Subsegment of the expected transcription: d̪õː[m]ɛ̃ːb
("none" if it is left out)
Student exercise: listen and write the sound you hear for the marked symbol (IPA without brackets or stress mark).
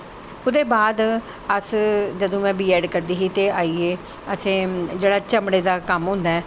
m